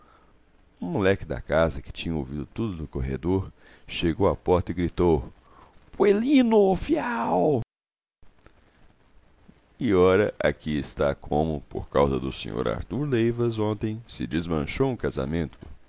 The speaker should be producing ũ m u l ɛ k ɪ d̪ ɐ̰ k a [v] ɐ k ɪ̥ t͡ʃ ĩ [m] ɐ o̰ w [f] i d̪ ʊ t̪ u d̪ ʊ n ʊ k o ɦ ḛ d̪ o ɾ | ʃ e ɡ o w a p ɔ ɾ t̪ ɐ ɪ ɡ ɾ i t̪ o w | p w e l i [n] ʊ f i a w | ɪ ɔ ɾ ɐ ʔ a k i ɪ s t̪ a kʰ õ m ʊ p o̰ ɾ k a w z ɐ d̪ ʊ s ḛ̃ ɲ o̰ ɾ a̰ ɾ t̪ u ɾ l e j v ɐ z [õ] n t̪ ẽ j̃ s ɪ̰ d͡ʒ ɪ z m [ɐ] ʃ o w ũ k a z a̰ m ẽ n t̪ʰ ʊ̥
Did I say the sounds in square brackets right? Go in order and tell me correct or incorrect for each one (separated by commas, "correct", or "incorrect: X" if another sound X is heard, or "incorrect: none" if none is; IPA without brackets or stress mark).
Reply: incorrect: z, incorrect: ɲ, incorrect: v, correct, correct, incorrect: ɐ̃